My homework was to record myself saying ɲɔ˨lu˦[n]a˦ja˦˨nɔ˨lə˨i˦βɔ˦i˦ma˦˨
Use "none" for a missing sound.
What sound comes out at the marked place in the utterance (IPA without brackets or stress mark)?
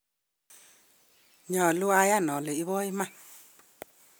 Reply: none